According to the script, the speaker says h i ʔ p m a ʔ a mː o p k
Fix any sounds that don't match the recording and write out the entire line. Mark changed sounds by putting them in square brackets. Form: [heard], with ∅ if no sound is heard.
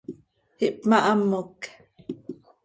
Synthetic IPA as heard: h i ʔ p m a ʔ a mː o [∅] k